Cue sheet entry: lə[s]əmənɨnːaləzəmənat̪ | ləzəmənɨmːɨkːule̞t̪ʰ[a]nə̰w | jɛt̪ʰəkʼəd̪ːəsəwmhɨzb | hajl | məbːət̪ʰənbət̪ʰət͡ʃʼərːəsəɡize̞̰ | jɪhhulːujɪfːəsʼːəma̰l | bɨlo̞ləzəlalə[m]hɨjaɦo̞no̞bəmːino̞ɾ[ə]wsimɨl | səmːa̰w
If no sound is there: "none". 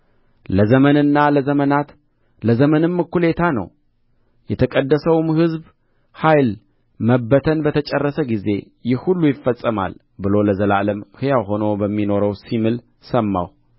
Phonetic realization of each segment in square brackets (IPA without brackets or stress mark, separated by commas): z, a, m, ə